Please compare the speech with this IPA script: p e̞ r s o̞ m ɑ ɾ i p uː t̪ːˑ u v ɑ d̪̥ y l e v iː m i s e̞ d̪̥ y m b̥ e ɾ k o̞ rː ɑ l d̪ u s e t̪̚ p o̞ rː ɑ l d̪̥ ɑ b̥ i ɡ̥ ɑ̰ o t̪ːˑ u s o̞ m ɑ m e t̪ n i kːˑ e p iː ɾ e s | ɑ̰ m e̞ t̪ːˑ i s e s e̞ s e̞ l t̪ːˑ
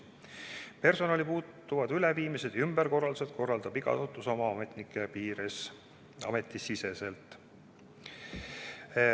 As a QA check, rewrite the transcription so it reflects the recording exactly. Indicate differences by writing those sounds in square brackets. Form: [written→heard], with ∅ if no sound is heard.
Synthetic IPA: p e̞ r s o̞ [m→n] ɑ [ɾ→l] i p uː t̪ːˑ u v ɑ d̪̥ y l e v iː m i s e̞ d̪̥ y m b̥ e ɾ k o̞ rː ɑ l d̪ u s e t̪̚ [p→k] o̞ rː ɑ l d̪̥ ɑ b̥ i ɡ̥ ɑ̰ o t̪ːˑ u s o̞ m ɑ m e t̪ n i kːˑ e p iː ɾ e s | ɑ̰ m e̞ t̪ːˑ i s [e→i] s e̞ s e̞ l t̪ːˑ